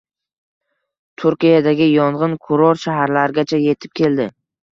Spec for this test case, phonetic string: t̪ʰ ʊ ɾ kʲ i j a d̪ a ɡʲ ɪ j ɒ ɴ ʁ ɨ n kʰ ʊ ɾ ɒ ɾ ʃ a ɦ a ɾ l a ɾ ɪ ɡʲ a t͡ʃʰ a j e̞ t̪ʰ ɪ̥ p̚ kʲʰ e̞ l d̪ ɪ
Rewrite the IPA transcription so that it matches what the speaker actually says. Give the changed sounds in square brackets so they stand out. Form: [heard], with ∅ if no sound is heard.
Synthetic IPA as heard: t̪ʰ ʊ ɾ kʲ i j a d̪ a ɡʲ ɪ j ɒ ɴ ʁ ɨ n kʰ ʊ ɾ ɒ ɾ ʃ a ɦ a ɾ l a ɾ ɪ ɡʲ a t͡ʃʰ a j e̞ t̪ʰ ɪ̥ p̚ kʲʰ e̞ l d̪ ɪ